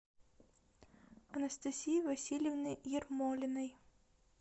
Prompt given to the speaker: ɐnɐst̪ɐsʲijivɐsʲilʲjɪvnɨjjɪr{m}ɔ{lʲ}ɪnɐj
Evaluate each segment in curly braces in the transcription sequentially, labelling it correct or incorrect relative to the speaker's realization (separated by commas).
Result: correct, correct